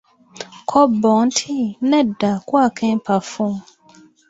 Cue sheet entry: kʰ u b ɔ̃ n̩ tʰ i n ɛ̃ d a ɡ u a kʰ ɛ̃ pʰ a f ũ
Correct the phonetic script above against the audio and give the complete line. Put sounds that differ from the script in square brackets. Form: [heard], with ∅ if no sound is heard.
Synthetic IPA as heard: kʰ [ɔ] b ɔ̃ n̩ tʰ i n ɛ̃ d a [k] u a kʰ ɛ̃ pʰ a f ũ